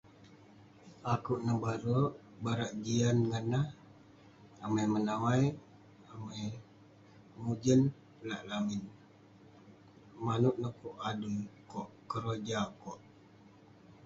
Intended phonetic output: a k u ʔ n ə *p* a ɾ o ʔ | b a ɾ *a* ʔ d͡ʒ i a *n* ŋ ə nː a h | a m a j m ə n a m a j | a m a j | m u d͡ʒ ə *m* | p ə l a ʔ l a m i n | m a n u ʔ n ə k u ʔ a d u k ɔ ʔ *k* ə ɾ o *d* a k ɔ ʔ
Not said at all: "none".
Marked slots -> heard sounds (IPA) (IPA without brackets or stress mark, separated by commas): b, a, n, n, k, d͡ʒ